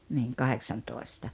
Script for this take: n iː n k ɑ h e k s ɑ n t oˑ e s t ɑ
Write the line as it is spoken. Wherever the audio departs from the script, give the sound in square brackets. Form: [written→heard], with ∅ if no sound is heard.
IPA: n iː [n→ŋ] k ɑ h e k s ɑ n t oˑ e s t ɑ